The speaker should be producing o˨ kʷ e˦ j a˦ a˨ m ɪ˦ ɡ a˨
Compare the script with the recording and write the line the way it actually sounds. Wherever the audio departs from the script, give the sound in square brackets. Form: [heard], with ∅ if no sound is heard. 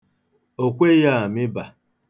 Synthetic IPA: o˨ kʷ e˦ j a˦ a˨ m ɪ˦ [b] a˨